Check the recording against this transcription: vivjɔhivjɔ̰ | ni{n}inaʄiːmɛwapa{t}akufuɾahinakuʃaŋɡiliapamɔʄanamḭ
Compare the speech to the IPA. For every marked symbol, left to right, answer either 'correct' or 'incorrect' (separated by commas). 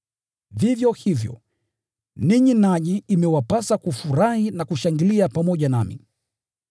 incorrect, incorrect